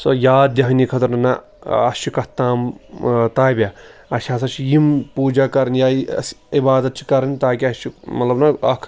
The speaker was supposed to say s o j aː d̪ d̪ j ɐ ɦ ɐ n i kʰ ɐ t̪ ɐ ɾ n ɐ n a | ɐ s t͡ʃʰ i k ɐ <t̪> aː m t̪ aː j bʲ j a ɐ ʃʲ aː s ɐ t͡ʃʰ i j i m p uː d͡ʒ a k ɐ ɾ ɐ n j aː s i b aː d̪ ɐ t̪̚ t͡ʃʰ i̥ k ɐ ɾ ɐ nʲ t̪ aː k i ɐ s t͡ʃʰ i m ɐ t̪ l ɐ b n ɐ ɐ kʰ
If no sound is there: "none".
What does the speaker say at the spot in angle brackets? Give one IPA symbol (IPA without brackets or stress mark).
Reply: t̪